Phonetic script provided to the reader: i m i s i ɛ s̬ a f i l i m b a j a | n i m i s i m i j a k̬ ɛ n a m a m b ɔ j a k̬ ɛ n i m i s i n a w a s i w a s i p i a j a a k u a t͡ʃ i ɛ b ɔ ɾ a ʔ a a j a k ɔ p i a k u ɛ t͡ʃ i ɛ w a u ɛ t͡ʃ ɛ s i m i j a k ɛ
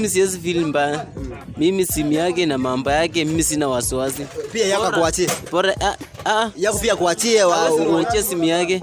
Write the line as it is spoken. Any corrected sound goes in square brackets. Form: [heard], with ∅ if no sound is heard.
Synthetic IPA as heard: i m i s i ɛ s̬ [i] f i l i m b a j a | [m] i m i s i m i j a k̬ ɛ n a m a m b ɔ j a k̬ ɛ [m] i m i s i n a w a s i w a s i p i a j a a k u a t͡ʃ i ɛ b ɔ ɾ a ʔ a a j a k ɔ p i a k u [a] t͡ʃ i ɛ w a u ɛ t͡ʃ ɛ s i m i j a k ɛ